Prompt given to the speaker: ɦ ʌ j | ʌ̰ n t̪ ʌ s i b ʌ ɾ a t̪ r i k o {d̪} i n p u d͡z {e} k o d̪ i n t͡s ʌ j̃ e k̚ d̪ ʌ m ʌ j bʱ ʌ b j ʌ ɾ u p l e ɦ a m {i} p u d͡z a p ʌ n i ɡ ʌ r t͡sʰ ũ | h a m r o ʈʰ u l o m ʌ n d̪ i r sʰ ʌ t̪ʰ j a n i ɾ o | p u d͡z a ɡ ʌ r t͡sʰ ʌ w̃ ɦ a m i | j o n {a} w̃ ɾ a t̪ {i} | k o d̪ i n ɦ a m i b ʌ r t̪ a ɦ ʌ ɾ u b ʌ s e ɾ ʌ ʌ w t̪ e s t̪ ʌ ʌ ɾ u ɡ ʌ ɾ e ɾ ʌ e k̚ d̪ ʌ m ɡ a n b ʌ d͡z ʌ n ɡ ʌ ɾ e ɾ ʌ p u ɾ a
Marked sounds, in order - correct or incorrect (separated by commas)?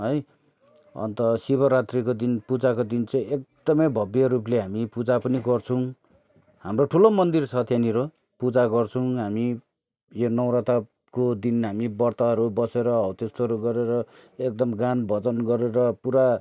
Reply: correct, incorrect, correct, incorrect, incorrect